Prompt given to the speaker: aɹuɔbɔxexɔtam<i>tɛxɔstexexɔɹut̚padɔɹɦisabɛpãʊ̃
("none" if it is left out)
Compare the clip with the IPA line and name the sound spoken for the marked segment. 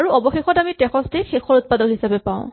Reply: i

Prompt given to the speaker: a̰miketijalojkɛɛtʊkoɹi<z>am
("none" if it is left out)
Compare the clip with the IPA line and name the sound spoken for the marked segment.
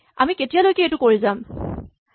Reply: z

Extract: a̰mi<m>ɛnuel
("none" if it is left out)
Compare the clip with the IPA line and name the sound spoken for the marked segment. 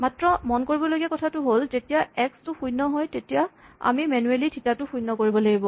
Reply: m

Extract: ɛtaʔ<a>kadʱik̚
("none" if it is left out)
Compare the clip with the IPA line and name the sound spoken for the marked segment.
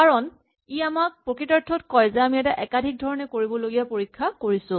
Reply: ɛ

